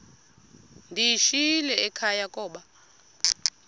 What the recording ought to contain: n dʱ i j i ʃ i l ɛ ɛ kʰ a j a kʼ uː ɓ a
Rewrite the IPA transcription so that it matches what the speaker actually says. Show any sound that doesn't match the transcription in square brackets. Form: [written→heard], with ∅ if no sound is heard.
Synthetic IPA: n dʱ i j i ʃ i l ɛ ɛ kʰ a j a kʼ [uː→ɔː] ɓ a